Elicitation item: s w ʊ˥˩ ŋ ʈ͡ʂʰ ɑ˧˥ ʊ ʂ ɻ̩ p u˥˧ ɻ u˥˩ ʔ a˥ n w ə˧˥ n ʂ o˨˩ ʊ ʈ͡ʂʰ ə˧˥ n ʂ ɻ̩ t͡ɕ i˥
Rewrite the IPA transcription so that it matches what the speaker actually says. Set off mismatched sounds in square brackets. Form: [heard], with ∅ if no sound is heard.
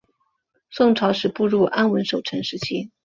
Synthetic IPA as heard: s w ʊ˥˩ ŋ ʈ͡ʂʰ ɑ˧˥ ʊ ʂ ɻ̩ p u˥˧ ɻ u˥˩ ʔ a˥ n w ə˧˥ n ʂ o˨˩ ʊ ʈ͡ʂʰ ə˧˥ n ʂ ɻ̩ [t͡ɕʰ] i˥